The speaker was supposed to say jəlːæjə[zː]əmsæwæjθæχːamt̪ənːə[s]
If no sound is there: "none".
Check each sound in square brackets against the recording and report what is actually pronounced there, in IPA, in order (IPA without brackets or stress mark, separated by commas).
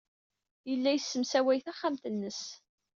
sː, s